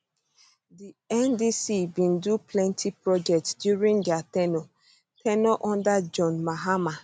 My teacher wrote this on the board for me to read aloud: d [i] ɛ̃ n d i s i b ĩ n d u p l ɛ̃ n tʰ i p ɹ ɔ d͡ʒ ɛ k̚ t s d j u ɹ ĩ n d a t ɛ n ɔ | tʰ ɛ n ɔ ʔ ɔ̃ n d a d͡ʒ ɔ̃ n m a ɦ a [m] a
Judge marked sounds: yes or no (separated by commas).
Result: yes, yes